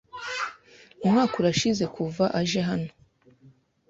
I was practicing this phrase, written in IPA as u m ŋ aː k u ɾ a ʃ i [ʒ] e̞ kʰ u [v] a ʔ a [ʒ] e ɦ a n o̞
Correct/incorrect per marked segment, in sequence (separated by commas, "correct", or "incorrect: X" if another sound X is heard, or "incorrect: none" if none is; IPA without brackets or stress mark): incorrect: z, correct, correct